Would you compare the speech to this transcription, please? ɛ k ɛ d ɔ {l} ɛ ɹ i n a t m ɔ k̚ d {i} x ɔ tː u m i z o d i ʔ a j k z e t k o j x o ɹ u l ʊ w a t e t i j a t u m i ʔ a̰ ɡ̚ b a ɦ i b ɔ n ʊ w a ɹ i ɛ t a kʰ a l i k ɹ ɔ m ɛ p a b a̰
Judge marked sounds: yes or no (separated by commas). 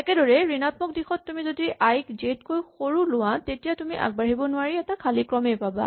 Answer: no, yes